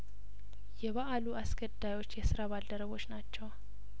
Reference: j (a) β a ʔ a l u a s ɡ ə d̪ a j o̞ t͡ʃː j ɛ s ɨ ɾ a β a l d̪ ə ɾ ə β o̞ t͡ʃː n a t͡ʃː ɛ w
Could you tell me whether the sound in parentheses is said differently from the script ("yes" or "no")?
yes